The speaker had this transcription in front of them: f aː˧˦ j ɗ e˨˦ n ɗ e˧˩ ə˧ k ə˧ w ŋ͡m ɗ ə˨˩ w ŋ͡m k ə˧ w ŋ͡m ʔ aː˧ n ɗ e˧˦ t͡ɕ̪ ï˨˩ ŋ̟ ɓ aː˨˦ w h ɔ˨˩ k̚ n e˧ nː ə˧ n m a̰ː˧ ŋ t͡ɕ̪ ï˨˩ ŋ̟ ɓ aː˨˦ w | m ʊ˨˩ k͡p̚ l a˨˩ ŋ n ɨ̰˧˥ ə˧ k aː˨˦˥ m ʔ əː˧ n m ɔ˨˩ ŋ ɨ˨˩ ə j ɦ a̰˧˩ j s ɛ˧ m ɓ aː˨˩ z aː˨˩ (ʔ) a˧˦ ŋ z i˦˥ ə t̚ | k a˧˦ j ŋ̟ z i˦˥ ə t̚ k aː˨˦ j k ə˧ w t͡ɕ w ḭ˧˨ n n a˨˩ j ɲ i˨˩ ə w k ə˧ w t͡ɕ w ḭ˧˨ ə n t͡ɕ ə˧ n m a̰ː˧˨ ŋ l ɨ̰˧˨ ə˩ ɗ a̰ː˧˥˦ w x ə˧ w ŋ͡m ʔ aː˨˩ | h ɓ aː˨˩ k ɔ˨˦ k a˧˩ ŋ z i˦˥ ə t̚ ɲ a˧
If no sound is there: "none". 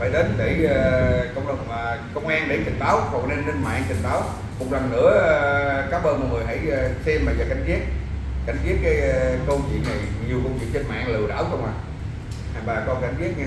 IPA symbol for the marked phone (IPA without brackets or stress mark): k